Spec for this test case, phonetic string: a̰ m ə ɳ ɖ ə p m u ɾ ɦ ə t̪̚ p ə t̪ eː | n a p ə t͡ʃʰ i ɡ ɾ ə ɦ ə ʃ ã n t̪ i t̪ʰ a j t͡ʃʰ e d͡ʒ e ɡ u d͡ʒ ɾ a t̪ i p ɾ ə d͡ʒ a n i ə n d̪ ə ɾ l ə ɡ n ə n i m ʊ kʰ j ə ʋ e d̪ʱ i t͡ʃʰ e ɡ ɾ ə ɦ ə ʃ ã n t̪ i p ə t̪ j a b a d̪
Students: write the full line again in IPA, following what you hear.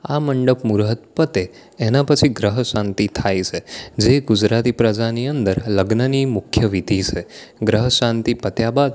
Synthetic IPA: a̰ m ə ɳ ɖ ə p m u ɾ ɦ ə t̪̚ p ə t̪ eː | n a p ə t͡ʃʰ i ɡ ɾ ə ɦ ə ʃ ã n t̪ i t̪ʰ a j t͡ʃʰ e d͡ʒ e ɡ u d͡ʒ ɾ a t̪ i p ɾ ə d͡ʒ a n i ə n d̪ ə ɾ l ə ɡ n ə n i m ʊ kʰ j ə ʋ i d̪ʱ i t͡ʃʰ e ɡ ɾ ə ɦ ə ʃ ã n t̪ i p ə t̪ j a b a d̪